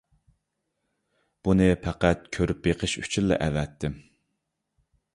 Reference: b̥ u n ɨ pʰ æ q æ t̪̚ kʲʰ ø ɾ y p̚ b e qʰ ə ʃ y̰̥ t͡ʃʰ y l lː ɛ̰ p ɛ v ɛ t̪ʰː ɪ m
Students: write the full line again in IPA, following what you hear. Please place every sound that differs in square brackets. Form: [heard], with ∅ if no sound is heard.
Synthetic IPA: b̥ u n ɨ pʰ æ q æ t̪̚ kʲʰ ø ɾ y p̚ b e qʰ ə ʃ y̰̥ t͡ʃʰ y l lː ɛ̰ [ʔ] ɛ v ɛ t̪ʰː ɪ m